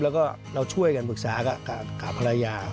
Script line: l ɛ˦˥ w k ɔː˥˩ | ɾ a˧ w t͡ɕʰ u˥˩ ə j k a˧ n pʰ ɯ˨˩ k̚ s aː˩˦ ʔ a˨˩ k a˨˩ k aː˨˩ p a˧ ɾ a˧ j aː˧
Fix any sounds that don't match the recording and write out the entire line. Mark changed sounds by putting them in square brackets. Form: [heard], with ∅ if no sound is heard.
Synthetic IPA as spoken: l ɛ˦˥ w k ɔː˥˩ | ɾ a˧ w t͡ɕʰ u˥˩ ə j k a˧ n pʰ ɯ˨˩ k̚ s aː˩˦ [k] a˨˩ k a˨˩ k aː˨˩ [pʰ] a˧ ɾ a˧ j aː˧